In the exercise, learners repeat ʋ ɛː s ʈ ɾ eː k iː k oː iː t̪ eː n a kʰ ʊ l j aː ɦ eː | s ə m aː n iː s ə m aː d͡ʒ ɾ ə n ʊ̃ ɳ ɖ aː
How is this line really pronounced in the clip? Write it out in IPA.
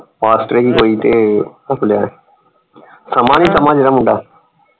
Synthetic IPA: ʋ aː s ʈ ɾ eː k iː k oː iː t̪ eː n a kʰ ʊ l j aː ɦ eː | s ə m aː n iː s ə m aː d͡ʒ ɾ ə m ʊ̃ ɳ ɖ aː